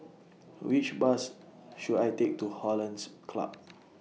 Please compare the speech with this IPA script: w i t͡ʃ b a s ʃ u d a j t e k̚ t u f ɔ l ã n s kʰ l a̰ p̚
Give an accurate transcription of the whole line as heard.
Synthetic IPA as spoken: w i t͡ʃ b a s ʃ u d a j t e k̚ t u h ɔ l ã n s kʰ l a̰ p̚